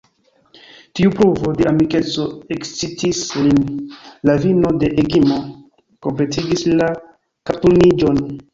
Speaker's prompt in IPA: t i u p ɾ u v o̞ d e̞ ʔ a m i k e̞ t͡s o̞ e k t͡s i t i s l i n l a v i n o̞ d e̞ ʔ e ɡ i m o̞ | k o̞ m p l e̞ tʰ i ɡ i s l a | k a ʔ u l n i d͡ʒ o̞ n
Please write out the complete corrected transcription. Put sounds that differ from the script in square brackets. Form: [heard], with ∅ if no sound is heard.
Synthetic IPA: t i u p ɾ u v o̞ d e̞ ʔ a m i k e̞ t͡s o̞ e k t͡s i t i s l i n l a v i n o̞ d e̞ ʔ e ɡ i m o̞ | k o̞ m p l e̞ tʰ i ɡ i s l a | k a [t] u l n i d͡ʒ o̞ n